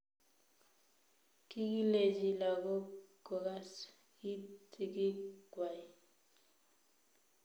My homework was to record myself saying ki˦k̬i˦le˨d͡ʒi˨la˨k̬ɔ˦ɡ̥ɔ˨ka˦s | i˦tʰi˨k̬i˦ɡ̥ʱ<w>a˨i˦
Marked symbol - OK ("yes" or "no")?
yes